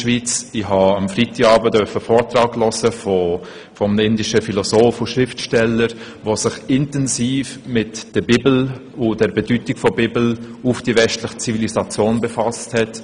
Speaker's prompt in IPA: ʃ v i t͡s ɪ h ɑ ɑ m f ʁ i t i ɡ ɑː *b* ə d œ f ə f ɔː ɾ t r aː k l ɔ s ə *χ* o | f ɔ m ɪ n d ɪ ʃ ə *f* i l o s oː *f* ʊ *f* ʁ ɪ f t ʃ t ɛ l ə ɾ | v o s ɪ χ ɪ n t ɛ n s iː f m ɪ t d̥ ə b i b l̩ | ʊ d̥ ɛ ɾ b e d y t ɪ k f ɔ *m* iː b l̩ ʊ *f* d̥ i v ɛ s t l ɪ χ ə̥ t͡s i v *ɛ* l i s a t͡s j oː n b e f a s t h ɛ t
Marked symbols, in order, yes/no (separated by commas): yes, no, yes, yes, no, no, yes, no